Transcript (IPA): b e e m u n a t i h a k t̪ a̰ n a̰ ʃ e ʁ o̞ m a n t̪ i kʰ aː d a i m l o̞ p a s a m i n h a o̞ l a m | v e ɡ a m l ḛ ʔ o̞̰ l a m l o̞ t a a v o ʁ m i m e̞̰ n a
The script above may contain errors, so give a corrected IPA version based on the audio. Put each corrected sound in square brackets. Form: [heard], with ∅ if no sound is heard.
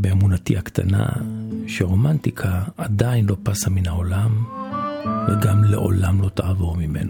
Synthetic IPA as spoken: b e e m u n a t i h a k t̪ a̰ n a̰ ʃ e ʁ o̞ m a n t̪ i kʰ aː d a i [n] l o̞ p a s a m i n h a o̞ l a m | v e ɡ a m l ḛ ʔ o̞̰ l a m l o̞ t a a v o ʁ m i m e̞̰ n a